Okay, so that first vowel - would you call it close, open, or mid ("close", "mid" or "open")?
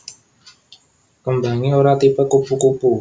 mid